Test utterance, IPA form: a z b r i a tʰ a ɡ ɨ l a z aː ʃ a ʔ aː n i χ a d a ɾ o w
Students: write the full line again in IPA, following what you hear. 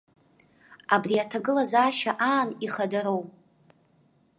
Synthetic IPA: a b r i a tʰ a ɡ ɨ l a z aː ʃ a ʔ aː n i χ a d a ɾ o w